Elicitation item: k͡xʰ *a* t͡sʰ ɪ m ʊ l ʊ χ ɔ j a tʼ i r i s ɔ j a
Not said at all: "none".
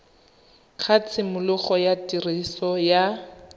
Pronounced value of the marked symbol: a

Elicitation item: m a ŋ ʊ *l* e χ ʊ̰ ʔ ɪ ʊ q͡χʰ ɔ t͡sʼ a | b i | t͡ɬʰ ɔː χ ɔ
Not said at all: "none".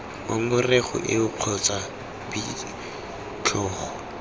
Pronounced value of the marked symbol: r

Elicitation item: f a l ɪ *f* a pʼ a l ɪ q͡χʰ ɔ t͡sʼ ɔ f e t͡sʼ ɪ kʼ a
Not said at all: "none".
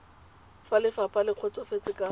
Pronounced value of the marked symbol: f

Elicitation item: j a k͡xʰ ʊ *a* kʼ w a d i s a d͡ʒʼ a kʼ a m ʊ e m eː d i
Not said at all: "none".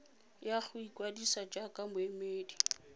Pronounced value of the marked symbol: i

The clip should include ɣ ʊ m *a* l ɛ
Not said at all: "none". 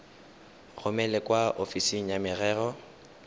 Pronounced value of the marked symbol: ɛ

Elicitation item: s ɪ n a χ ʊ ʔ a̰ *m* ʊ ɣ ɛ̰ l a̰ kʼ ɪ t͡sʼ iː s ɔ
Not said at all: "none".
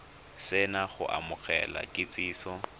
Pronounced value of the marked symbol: m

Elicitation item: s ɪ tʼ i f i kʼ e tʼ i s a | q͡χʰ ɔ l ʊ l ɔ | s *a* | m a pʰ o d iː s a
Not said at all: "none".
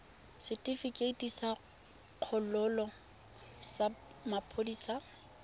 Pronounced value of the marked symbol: a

